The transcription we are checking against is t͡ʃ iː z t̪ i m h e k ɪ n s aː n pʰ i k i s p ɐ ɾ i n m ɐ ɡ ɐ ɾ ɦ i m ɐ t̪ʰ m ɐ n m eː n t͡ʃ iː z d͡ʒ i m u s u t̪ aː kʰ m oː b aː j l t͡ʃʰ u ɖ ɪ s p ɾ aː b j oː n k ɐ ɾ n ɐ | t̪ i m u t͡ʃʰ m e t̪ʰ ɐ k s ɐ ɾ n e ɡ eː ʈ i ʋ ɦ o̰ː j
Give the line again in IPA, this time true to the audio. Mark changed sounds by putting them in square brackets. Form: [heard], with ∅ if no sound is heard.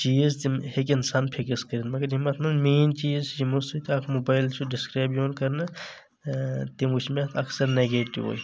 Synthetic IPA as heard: t͡ʃ iː z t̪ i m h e k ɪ n s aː n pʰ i k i s [k] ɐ ɾ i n m ɐ ɡ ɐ ɾ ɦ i m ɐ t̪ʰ m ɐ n m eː n t͡ʃ iː z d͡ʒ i m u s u t̪ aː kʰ m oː b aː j l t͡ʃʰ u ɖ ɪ s [k] ɾ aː b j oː n k ɐ ɾ n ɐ | t̪ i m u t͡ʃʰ m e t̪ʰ ɐ k s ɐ ɾ n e ɡ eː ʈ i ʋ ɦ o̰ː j